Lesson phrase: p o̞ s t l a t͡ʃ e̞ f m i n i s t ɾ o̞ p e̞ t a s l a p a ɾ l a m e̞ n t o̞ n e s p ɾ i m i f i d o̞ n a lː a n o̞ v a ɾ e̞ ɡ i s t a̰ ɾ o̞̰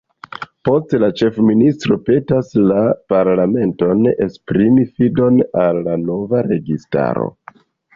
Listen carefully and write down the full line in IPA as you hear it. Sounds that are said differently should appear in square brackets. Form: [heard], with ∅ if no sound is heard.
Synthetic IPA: p o̞ s t l a t͡ʃ e̞ f m i n i s t ɾ o̞ p e̞ t a s l a p a ɾ l a m e̞ n t o̞ n e s p ɾ i m i f i d o̞ n a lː a n o̞ v a ɾ e̞ ɡ i s t a̰ ɾ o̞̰